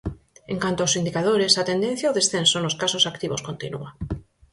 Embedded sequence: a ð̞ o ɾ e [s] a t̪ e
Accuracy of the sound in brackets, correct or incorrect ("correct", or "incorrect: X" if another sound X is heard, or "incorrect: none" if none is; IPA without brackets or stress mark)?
correct